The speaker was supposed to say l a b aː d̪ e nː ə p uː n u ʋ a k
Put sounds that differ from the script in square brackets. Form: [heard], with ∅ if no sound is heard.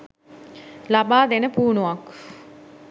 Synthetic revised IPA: l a b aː d̪ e [n] ə p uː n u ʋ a k